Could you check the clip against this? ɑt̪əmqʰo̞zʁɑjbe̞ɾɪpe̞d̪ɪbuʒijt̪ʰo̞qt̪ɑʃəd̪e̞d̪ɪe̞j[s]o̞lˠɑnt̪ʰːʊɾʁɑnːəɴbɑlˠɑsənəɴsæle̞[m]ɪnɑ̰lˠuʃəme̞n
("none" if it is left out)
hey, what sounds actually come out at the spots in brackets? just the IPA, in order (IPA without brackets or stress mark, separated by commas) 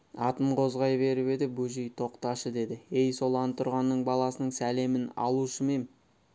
s, m